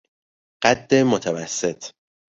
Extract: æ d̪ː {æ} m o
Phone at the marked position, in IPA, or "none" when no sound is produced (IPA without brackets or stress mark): e